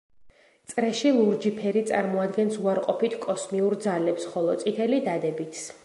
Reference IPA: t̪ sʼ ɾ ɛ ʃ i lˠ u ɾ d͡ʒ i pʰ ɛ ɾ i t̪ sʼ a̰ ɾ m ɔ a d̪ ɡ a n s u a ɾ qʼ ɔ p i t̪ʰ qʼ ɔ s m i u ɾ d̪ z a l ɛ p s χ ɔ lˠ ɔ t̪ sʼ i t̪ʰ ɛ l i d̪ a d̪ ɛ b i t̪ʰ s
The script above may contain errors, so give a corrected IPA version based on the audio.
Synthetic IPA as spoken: t̪ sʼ ɾ ɛ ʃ i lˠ u ɾ d͡ʒ i pʰ ɛ ɾ i t̪ sʼ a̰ ɾ m ɔ a d̪ ɡ ɛ n s u a ɾ qʼ ɔ p i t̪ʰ kʼ ɔ s m i u ɾ d̪ z a l ɛ p s χ ɔ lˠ ɔ t̪ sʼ i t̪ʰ ɛ l i d̪ a d̪ ɛ b i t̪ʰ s